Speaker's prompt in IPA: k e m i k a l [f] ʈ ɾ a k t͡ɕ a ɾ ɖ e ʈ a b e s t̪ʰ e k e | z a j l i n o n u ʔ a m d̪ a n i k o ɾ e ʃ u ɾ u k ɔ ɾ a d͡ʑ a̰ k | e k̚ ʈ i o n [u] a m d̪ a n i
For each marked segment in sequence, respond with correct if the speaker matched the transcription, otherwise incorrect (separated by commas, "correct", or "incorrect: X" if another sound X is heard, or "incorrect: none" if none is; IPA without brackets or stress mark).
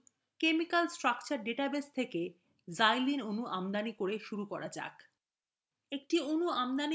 incorrect: s, correct